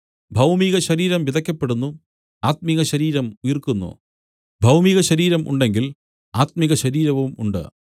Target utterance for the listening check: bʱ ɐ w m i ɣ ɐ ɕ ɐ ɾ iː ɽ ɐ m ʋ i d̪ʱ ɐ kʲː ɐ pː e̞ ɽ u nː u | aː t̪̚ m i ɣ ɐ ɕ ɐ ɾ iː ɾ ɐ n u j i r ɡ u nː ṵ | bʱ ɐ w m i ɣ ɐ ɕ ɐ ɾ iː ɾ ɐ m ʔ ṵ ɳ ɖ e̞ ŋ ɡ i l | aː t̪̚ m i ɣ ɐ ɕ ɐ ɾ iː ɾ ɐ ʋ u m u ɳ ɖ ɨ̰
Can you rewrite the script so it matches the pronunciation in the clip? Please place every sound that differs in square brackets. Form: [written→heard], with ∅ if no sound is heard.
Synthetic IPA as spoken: bʱ ɐ w m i ɣ ɐ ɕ ɐ ɾ iː [ɽ→ɾ] ɐ m ʋ i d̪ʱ ɐ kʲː ɐ pː e̞ ɽ u nː u | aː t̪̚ m i ɣ ɐ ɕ ɐ ɾ iː ɾ ɐ [n→m] u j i r [ɡ→k] u nː ṵ | bʱ ɐ w m i ɣ ɐ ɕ ɐ ɾ iː ɾ ɐ m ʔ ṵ ɳ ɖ e̞ ŋ ɡ i l | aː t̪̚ m i ɣ ɐ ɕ ɐ ɾ iː ɾ ɐ ʋ u m u ɳ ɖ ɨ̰